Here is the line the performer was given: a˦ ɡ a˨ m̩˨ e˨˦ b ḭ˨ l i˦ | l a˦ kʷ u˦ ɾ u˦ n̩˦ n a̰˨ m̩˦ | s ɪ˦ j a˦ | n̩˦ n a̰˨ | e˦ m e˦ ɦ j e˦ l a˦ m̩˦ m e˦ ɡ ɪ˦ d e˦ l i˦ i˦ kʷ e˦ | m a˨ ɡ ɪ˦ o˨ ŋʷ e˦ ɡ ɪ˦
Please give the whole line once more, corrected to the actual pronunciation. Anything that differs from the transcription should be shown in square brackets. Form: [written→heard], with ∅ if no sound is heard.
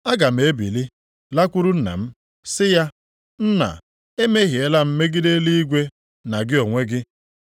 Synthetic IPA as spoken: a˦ ɡ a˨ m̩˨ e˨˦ b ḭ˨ l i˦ | l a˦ kʷ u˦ ɾ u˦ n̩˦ n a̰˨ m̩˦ | s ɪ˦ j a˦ | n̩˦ n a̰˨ | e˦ m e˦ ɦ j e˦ l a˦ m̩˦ m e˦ ɡ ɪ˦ d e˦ l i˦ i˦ [kʷ→ɡʷ] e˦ | [m→n] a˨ ɡ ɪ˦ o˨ ŋʷ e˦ ɡ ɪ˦